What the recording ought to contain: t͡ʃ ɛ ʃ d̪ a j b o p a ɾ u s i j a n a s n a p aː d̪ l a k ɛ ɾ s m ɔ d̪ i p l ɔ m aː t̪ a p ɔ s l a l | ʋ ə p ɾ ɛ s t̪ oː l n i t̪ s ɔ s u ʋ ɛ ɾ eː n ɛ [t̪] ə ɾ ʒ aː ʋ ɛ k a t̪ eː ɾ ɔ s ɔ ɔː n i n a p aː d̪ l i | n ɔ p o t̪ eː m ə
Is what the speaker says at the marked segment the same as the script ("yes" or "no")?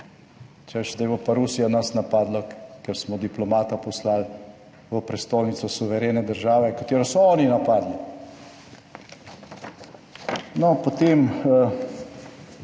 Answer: no